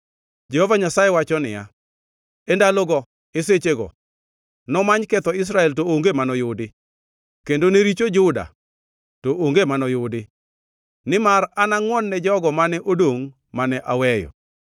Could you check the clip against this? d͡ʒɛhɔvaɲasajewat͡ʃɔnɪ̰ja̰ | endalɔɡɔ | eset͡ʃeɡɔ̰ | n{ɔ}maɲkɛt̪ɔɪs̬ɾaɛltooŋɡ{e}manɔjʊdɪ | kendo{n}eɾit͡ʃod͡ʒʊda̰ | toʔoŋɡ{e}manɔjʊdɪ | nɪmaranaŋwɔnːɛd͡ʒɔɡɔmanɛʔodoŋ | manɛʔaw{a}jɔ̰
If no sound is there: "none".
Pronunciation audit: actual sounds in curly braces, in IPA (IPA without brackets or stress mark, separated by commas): ɔ, e, n, e, ɛ